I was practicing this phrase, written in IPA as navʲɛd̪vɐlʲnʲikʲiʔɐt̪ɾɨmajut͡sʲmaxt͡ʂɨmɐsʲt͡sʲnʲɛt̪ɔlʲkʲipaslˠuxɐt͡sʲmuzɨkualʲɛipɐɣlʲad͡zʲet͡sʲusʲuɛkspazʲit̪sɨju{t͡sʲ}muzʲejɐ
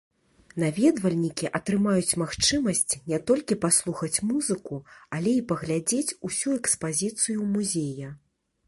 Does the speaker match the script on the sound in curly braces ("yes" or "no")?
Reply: no